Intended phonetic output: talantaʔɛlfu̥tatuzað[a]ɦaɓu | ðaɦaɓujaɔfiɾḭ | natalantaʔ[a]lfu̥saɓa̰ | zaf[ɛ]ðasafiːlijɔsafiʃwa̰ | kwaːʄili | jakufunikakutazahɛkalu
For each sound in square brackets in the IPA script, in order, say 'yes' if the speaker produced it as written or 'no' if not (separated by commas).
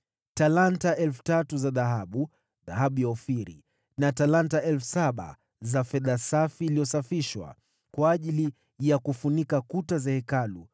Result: yes, no, yes